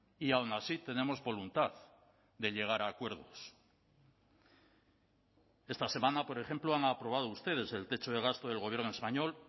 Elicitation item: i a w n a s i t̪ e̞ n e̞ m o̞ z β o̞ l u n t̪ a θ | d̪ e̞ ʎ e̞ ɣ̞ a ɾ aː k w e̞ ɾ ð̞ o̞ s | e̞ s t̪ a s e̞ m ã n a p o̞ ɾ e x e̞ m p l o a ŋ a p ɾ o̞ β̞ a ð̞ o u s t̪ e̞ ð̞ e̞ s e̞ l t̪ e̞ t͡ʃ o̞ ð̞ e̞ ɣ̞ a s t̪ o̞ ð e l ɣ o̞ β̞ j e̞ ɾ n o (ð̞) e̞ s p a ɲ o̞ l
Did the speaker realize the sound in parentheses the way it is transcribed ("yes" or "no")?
no